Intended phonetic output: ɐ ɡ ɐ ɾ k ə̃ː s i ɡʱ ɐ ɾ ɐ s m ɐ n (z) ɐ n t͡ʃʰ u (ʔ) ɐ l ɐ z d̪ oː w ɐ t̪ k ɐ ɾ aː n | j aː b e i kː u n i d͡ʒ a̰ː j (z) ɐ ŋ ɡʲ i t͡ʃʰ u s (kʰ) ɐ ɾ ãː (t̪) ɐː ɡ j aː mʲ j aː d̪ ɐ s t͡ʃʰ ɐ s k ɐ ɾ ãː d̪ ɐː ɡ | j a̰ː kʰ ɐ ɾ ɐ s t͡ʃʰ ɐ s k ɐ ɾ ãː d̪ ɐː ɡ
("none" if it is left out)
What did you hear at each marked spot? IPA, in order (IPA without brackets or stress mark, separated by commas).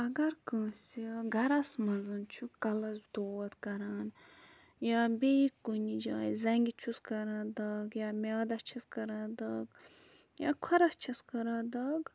z, k, z, k, d̪